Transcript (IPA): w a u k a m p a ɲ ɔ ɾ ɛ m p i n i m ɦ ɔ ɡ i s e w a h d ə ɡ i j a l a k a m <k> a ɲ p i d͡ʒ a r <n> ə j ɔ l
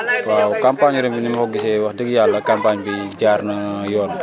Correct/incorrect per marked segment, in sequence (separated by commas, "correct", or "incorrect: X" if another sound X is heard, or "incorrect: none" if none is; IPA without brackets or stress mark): incorrect: p, correct